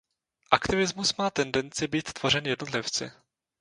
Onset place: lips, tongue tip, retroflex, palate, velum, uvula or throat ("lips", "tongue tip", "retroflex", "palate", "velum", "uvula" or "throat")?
throat